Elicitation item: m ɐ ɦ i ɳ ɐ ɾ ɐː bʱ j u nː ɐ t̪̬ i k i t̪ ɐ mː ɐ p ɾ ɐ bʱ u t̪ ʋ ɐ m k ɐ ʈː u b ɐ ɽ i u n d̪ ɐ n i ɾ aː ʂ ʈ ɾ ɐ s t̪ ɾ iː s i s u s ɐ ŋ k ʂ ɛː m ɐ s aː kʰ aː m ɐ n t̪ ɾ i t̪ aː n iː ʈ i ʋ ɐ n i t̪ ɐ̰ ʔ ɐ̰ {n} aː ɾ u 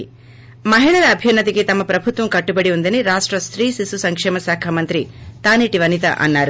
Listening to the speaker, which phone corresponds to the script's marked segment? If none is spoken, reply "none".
nː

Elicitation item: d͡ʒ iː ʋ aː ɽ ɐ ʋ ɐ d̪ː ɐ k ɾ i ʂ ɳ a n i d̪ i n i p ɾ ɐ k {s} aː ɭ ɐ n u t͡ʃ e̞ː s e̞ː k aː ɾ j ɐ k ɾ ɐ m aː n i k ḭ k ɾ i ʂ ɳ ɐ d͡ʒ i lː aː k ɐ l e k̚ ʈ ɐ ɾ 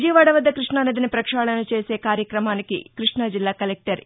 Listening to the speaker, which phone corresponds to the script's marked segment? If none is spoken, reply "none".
ʂ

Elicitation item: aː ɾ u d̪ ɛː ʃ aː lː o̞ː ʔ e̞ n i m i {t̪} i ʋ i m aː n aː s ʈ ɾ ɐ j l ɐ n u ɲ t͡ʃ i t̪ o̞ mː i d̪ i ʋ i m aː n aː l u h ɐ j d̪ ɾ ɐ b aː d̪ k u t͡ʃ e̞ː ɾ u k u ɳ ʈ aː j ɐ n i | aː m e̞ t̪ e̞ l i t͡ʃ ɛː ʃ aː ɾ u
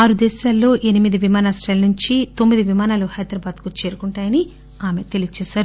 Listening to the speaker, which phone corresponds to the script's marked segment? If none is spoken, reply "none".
d̪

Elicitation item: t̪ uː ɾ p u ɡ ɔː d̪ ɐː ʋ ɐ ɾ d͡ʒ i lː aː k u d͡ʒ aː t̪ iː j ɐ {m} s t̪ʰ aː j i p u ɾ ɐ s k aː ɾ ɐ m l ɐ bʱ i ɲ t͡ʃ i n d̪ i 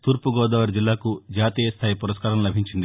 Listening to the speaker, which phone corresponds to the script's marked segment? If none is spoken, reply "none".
none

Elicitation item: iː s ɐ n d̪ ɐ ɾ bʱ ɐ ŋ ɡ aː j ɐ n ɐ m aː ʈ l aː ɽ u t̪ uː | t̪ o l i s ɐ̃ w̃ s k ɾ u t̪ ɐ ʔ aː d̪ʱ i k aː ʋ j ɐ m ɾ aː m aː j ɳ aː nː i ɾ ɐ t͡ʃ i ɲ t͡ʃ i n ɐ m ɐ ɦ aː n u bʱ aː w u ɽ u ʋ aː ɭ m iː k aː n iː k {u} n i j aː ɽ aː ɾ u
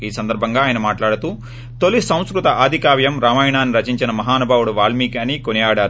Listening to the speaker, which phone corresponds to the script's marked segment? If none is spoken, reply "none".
o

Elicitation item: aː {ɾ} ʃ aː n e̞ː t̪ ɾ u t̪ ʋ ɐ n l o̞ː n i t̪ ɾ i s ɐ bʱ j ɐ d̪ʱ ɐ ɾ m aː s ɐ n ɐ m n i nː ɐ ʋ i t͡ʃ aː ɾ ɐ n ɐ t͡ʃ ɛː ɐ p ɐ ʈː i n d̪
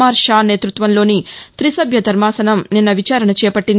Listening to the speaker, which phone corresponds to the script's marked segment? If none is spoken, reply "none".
ɾ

